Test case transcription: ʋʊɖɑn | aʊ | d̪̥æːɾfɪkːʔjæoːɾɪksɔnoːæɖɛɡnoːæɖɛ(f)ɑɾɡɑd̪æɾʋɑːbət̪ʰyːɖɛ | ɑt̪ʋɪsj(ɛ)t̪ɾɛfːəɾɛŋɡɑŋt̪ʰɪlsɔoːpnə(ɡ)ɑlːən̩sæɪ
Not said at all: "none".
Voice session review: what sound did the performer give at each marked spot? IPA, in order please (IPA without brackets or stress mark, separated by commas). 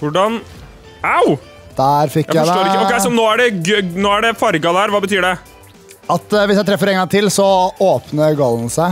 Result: f, æ, ɡ